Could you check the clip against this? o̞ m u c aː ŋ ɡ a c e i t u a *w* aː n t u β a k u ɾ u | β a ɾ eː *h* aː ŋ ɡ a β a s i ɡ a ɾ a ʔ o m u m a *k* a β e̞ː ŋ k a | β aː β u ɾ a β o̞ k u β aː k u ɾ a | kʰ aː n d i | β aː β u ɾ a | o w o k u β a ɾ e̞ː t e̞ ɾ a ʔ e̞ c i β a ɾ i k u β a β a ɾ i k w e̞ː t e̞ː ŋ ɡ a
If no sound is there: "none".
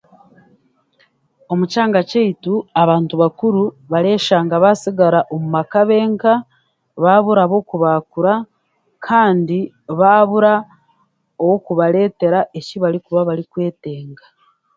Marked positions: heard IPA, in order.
β, ʃ, k

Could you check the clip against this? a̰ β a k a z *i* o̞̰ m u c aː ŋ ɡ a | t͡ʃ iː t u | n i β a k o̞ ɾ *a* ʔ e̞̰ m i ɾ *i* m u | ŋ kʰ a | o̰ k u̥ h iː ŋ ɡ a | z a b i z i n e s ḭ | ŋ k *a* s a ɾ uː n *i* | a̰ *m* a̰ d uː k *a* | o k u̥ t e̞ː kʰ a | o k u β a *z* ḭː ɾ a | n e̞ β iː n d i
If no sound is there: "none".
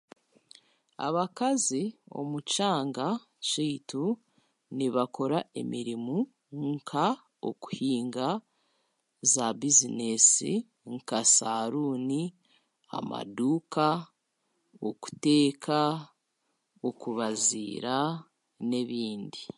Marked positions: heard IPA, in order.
i, a, i, a, i, m, a, z

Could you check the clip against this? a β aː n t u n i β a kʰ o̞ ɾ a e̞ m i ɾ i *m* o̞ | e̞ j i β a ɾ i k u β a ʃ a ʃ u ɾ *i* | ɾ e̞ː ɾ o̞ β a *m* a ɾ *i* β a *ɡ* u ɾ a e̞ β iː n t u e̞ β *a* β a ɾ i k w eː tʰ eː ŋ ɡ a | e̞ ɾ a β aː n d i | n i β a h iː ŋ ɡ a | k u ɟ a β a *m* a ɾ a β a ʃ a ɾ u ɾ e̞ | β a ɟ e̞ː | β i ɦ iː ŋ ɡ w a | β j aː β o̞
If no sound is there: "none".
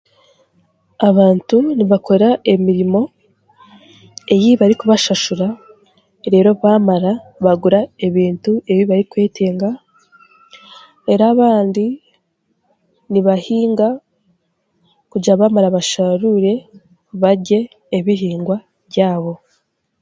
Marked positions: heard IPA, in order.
m, a, m, a, ɡ, i, m

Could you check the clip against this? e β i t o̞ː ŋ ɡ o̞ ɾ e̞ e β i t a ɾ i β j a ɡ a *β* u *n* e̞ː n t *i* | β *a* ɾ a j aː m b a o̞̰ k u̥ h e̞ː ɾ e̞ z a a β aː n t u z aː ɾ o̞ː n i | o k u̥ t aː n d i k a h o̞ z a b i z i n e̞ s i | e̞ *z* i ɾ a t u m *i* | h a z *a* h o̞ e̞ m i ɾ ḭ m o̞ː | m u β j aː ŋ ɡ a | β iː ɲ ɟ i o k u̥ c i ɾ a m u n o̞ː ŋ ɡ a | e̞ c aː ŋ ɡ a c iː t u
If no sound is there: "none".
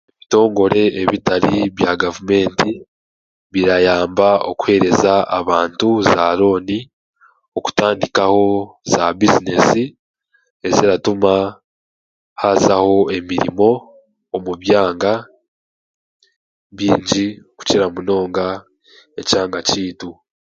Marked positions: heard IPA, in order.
v, m, i, i, z, a, a

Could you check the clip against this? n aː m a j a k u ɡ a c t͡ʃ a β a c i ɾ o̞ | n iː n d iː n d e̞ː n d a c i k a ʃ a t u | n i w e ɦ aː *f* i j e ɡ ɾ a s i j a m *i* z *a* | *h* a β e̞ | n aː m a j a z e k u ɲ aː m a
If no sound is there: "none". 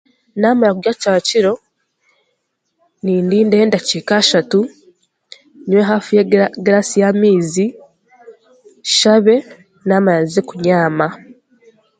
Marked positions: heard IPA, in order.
f, iː, i, ʃ

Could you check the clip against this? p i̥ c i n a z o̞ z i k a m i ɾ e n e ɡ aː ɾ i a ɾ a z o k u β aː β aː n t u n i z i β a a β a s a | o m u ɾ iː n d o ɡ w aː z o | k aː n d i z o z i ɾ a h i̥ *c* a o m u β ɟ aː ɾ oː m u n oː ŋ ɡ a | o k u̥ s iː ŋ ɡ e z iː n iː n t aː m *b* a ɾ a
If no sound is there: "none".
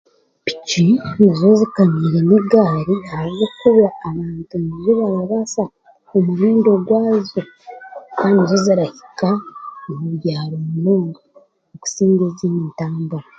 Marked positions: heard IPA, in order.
k, b

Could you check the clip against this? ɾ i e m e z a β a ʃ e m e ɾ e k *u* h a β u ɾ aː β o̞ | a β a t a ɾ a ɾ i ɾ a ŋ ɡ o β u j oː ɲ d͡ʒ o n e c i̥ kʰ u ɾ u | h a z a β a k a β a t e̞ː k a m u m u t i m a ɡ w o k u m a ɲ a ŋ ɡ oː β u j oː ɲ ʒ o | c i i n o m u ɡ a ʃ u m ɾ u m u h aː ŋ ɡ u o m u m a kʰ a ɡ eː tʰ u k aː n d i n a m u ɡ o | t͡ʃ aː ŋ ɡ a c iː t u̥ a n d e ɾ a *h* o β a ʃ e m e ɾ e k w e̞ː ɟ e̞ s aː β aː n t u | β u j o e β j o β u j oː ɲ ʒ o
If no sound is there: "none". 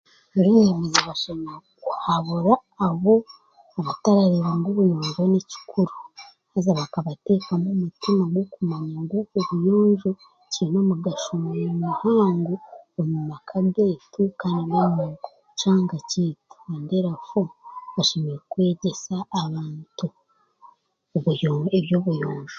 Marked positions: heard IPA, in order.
u, f

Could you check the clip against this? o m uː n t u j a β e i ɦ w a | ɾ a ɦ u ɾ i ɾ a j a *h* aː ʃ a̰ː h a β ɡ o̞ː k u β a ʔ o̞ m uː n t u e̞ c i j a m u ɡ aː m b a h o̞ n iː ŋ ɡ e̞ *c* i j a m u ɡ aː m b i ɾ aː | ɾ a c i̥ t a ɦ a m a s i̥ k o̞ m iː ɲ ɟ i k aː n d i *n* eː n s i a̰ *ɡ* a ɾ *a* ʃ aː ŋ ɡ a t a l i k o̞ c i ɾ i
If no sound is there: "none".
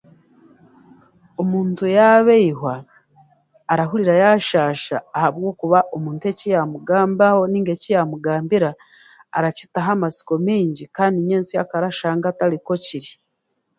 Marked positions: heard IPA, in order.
ʃ, c, ɲ, k, a

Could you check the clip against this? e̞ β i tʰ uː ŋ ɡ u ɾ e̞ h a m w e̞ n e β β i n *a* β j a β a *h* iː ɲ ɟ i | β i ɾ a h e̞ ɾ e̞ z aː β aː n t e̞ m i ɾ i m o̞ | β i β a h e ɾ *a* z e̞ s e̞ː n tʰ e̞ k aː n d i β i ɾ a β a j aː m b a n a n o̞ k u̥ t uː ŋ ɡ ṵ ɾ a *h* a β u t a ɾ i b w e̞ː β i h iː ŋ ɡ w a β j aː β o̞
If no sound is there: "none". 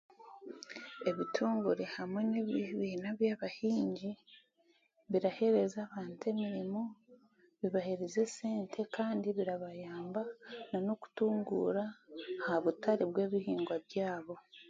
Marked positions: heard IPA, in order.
a, h, e, h

